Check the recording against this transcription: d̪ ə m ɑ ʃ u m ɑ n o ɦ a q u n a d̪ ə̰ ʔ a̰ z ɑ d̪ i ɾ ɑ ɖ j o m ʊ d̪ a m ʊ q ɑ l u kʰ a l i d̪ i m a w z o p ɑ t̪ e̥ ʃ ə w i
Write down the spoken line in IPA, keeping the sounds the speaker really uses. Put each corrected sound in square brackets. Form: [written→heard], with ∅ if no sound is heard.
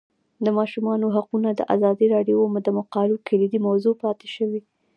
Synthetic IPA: d̪ ə m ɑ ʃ u m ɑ n o ɦ a q u n a d̪ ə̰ ʔ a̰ z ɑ d̪ i ɾ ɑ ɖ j o m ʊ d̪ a m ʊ q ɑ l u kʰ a l i d̪ i m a w z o p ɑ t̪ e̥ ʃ ə w i

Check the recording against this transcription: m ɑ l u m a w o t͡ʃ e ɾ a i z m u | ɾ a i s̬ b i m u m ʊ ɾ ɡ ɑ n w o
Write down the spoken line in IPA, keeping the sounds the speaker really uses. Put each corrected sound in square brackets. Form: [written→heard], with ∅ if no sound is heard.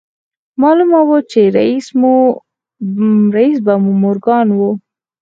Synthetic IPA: m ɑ l u m a w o t͡ʃ e ɾ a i [z→s] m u | ɾ a i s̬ b [i→a] m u m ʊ ɾ ɡ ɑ n w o

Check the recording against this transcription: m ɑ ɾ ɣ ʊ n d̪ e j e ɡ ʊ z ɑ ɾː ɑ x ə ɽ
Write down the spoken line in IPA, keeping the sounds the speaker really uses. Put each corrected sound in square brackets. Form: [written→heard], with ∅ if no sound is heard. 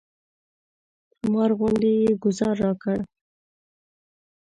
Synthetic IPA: m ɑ ɾ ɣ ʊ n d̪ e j e ɡ ʊ z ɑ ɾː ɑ [x→k] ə ɽ

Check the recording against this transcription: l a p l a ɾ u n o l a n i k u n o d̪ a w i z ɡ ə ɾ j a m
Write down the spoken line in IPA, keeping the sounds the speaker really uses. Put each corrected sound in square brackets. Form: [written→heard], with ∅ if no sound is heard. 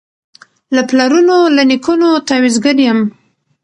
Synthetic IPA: l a p l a ɾ u n o l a n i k u n o [d̪→t̪] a w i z ɡ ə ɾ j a m

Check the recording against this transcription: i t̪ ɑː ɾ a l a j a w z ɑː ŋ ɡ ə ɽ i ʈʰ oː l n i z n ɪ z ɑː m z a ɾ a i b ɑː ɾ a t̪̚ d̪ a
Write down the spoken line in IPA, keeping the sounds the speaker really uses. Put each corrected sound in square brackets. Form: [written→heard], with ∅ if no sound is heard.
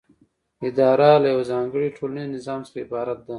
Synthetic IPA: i [t̪→d̪] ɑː ɾ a l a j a w z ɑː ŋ ɡ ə ɽ i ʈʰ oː l n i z n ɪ z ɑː m [z→s] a ɾ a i b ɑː ɾ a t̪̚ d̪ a

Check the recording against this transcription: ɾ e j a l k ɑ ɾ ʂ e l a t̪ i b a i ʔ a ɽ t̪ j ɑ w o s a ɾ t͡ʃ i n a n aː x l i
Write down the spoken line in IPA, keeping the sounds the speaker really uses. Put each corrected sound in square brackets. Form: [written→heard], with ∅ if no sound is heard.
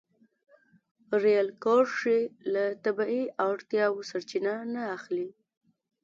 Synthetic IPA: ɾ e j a l k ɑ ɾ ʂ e l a t̪ [i→a] b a i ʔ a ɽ t̪ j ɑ w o s a ɾ t͡ʃ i n a n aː x l i

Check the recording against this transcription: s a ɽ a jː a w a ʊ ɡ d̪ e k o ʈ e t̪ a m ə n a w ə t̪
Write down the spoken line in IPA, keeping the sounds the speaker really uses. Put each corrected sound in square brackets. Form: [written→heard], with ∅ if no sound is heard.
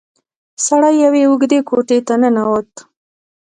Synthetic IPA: s a ɽ a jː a w [a→e] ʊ ɡ d̪ e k o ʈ e t̪ a [m→n] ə n a w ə t̪

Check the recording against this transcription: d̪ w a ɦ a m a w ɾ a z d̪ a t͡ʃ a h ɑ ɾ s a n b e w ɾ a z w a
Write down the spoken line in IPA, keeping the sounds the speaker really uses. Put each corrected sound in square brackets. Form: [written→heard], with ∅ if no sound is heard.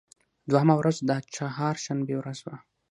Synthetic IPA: d̪ w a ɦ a m a w ɾ a z d̪ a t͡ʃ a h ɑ ɾ [s→ʃ] a n b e w ɾ a z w a

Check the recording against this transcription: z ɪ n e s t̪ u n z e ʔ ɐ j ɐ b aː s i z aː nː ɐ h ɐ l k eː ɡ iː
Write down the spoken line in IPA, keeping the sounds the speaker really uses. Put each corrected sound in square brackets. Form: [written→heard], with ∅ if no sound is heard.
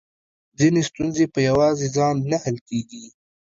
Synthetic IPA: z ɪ n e s t̪ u n z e [ʔ→p] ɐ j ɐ [b→w] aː [s→z] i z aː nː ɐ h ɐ l k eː ɡ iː

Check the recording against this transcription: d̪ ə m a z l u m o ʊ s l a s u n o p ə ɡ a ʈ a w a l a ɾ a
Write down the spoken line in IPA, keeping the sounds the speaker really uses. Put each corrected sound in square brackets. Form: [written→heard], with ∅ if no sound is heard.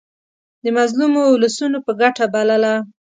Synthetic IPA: d̪ ə m a z l u m o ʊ [s→∅] l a s u n o p ə ɡ a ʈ a [w→b] a l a [ɾ→l] a

